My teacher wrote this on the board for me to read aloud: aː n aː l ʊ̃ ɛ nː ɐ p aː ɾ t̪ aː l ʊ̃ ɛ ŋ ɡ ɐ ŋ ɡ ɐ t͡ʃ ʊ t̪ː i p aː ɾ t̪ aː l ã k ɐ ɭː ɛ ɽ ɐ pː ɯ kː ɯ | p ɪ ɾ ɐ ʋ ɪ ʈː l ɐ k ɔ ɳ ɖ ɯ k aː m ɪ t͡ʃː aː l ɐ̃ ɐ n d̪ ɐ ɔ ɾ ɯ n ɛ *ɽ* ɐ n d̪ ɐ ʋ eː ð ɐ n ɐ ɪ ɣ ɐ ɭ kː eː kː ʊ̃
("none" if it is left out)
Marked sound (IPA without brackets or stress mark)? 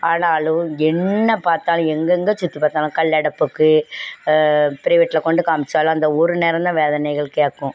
ɾ